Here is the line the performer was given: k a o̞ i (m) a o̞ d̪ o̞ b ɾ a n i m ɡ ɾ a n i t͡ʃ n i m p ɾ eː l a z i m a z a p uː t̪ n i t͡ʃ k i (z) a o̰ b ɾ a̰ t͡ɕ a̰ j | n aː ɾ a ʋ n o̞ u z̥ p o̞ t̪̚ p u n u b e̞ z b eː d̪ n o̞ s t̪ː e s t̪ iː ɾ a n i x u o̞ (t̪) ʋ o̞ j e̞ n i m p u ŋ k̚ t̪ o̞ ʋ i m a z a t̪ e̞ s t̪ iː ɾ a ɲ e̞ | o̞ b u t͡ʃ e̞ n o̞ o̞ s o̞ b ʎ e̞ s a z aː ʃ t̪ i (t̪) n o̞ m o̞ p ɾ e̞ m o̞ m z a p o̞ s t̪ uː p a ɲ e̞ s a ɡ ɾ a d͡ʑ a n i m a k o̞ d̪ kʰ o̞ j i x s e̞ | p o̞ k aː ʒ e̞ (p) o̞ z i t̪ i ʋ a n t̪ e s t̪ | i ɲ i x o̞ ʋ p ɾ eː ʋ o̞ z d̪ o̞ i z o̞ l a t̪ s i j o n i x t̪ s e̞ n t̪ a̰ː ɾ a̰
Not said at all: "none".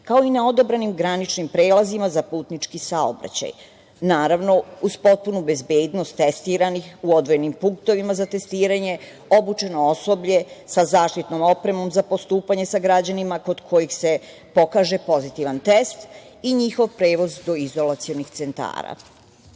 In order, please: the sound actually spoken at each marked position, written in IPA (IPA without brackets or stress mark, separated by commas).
n, s, d̪, t̪, p